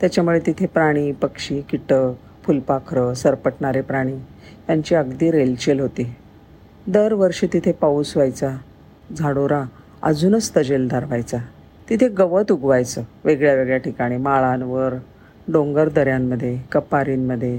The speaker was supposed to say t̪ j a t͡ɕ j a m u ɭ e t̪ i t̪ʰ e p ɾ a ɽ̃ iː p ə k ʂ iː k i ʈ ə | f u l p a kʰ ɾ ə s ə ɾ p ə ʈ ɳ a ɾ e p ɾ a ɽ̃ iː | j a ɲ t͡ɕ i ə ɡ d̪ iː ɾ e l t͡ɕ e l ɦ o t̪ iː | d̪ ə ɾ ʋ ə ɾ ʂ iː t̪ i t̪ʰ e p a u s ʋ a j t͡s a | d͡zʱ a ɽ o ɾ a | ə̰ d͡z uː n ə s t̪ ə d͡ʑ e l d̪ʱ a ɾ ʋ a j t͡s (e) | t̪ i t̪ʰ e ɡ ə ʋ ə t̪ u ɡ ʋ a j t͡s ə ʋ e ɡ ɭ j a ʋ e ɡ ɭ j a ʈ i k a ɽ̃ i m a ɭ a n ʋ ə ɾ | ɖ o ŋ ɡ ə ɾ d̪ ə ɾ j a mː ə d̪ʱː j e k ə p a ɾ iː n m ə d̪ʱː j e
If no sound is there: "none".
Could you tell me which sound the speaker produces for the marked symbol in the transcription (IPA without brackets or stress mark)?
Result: a